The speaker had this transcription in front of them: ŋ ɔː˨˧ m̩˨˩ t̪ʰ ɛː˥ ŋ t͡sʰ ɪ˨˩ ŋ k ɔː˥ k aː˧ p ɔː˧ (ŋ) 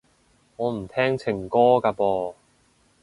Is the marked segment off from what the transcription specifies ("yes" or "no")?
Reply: yes